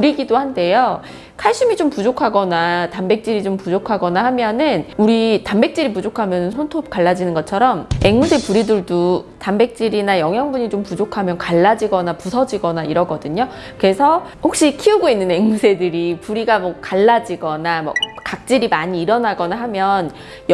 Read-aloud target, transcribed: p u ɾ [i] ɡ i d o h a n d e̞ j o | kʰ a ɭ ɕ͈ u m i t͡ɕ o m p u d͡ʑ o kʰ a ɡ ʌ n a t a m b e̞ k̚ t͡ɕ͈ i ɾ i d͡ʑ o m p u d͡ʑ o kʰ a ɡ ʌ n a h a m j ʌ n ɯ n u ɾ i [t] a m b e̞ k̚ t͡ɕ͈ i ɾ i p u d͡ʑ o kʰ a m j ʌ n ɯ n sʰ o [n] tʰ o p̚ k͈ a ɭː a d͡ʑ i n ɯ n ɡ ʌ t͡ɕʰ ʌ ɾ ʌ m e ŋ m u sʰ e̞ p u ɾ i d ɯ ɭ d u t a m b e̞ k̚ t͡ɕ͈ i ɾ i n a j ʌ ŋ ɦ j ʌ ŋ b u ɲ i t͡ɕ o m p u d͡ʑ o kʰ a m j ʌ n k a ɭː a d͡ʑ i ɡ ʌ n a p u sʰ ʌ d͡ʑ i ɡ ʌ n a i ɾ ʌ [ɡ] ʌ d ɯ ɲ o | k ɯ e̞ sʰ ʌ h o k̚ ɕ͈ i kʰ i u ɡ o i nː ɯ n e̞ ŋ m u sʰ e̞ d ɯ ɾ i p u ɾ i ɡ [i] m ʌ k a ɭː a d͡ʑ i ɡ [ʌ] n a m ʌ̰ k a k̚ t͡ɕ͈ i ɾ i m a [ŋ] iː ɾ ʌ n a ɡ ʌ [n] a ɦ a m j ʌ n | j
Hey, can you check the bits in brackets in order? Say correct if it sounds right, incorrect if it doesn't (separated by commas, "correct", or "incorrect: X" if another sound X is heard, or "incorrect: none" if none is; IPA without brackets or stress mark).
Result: correct, correct, correct, correct, incorrect: a, correct, incorrect: ɲ, correct